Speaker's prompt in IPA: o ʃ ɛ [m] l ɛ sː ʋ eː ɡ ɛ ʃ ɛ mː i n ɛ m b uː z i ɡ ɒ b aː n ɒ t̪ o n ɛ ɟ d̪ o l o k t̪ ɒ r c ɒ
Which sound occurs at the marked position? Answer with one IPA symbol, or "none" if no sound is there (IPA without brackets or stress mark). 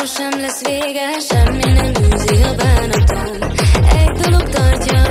m